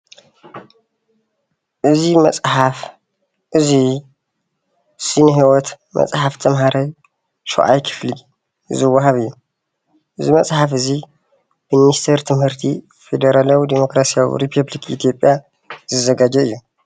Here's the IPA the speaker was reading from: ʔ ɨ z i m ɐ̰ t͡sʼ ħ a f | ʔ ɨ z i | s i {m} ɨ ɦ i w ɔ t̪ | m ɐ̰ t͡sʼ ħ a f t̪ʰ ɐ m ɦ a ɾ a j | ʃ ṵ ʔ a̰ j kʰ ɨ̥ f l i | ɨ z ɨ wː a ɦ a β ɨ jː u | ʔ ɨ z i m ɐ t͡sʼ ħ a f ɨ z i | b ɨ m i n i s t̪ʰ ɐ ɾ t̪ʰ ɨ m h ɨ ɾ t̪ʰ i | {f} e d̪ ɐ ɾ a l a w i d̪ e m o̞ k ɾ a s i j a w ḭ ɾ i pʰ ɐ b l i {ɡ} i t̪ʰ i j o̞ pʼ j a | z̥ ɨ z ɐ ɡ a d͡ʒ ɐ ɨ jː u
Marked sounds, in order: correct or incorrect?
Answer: incorrect, correct, incorrect

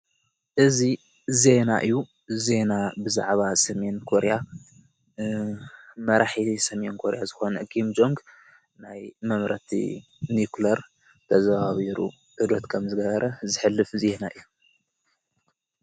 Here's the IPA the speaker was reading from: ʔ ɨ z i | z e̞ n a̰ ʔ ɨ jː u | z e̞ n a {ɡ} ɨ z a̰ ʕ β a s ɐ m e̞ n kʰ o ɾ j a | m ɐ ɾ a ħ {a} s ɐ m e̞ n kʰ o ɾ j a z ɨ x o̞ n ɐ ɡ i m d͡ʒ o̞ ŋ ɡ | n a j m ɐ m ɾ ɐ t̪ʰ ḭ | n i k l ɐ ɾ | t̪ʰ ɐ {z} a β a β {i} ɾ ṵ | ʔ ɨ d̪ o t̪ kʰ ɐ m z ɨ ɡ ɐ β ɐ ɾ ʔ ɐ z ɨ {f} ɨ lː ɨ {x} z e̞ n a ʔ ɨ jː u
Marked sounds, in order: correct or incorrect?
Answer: incorrect, incorrect, correct, correct, incorrect, incorrect

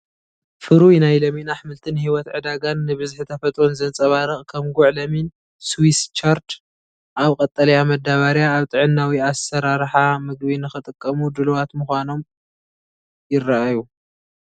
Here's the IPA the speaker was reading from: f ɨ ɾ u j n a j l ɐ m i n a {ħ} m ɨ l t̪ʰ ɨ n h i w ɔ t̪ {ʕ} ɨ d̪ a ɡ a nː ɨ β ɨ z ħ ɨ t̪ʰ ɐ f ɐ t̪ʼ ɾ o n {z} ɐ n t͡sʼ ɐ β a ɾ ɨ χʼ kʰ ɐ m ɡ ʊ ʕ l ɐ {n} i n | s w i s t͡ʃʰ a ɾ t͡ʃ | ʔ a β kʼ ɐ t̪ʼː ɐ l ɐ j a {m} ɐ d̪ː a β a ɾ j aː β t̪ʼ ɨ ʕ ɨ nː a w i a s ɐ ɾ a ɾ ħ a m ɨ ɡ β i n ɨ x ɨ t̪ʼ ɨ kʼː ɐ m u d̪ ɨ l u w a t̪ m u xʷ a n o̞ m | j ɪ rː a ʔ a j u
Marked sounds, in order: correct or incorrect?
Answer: correct, correct, correct, incorrect, correct

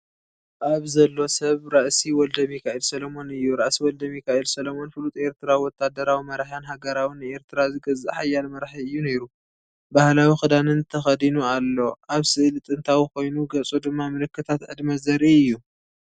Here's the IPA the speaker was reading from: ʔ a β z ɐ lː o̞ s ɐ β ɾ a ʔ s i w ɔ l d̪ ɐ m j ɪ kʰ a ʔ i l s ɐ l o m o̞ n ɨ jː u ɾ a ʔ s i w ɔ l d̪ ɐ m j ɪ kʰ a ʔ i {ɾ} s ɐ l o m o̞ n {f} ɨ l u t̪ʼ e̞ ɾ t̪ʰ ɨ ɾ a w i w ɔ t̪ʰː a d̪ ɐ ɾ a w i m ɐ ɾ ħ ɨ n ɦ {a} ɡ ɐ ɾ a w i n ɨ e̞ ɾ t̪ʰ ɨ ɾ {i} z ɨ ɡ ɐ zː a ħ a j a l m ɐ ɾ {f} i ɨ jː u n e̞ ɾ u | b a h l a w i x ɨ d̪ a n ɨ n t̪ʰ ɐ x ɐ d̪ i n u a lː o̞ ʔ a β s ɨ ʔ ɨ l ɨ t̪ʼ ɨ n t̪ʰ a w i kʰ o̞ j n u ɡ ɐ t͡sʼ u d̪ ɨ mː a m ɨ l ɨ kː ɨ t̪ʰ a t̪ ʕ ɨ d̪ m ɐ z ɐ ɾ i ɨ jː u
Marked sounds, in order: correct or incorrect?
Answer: incorrect, correct, correct, incorrect, incorrect

